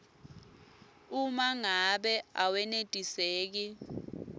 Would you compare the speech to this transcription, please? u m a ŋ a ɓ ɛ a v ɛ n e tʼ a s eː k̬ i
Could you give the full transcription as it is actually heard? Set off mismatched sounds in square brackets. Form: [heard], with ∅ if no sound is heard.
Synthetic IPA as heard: u m a ŋ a ɓ ɛ a [w] ɛ n e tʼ [i] s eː k̬ i